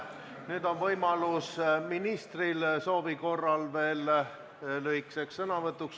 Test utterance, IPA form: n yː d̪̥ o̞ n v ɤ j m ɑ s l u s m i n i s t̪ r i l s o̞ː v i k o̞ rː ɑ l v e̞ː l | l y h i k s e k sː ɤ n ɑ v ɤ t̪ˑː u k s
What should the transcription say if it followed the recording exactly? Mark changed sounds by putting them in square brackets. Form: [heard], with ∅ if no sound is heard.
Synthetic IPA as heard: n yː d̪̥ o̞ n v ɤ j m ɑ [∅] l u s m i n i s t̪ r i l s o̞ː v i k o̞ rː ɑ l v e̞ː l | l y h i k s e k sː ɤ n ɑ v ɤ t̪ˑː u k s